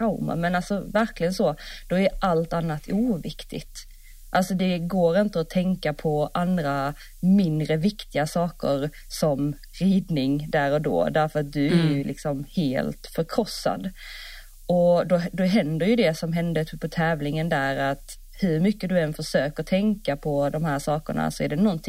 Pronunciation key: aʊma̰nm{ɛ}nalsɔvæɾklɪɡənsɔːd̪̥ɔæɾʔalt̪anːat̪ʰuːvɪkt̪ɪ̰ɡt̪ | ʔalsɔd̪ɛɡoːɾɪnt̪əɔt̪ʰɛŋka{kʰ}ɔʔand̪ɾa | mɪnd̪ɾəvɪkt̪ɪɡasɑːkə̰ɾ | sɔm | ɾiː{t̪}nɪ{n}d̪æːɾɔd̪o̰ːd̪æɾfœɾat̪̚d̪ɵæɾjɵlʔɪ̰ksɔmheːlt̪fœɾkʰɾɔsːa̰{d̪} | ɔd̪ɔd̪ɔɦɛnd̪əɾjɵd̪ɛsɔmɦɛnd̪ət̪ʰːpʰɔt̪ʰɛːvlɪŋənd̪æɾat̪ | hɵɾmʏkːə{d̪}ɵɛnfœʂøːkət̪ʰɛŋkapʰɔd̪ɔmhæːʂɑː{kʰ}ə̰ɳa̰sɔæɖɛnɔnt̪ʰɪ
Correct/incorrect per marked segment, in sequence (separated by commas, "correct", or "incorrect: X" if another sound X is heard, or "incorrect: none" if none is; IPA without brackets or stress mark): correct, incorrect: pʰ, incorrect: d̪, incorrect: ŋ, correct, correct, incorrect: k